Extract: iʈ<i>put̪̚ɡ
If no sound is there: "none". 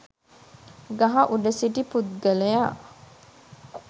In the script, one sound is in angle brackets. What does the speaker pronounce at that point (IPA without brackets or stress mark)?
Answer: i